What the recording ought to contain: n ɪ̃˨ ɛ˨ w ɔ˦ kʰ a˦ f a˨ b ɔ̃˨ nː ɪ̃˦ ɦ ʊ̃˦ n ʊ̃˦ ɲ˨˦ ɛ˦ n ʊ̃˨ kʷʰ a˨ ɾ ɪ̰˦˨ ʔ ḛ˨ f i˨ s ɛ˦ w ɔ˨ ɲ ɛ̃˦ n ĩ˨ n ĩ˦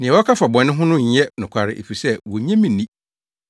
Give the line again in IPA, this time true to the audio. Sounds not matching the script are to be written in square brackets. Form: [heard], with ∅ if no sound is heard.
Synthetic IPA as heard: n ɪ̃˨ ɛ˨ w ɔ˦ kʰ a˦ f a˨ b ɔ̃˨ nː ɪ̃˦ ɦ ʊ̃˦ n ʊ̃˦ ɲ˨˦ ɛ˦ n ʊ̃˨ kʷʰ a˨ ɾ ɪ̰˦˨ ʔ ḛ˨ f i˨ s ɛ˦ w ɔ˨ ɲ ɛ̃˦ [m] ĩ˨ n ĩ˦